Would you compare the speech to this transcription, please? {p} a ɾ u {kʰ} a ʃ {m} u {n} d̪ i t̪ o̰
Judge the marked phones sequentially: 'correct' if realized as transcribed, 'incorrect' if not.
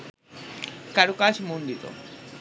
incorrect: k, incorrect: k, correct, correct

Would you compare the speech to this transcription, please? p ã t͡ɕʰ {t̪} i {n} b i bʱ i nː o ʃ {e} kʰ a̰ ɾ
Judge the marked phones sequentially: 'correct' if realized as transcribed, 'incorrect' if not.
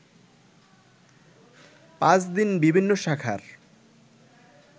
incorrect: d̪, correct, incorrect: a

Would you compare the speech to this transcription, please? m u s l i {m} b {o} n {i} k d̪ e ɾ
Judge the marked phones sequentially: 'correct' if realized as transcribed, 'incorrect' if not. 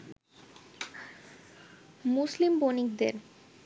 correct, correct, correct

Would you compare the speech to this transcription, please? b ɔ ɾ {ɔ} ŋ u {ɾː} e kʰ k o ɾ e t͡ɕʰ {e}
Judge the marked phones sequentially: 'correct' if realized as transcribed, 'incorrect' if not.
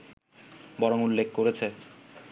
incorrect: o, incorrect: lː, correct

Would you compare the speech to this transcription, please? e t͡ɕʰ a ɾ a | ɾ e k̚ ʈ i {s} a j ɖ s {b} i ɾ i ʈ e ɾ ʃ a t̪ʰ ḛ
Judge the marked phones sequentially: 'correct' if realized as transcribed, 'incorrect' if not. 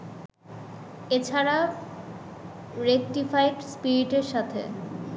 incorrect: f, incorrect: p

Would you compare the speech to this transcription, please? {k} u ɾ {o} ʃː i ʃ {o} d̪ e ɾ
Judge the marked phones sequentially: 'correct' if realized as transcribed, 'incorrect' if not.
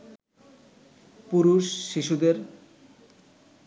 incorrect: p, incorrect: u, incorrect: u

